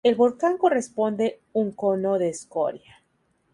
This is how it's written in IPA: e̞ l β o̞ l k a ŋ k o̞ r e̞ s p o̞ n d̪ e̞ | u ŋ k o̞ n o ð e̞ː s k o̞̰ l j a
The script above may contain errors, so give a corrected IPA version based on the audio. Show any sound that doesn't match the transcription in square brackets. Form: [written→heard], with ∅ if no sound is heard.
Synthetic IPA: e̞ l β o̞ l k a ŋ k o̞ r e̞ s p o̞ n d̪ e̞ | u ŋ k o̞ n o ð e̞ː s k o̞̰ [l→ɾ] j a